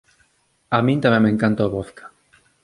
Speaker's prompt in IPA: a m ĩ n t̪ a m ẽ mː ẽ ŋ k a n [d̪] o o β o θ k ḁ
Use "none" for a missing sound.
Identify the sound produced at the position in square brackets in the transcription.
t̪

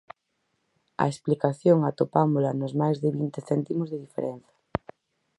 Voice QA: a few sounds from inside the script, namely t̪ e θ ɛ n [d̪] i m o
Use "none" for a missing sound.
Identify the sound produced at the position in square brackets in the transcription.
t̪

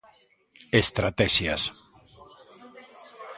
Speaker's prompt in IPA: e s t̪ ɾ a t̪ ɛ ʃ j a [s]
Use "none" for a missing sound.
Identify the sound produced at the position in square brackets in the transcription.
s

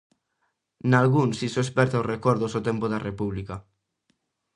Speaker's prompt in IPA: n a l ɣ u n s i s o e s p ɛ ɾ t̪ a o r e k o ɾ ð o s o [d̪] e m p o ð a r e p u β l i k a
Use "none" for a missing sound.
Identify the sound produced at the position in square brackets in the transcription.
t̪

